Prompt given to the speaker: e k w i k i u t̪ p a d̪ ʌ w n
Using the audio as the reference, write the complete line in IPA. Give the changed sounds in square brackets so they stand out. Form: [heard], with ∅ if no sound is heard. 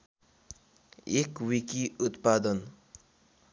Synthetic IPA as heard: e k w i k i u t̪ p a d̪ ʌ [∅] n